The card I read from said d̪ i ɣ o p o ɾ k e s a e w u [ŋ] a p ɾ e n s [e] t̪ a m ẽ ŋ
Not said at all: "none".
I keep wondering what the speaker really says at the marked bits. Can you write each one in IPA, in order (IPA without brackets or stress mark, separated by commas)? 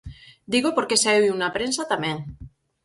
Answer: n, a